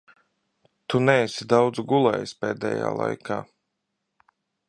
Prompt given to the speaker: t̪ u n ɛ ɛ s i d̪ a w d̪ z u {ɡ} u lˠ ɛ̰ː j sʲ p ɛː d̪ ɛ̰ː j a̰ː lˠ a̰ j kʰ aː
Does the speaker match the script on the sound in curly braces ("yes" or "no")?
yes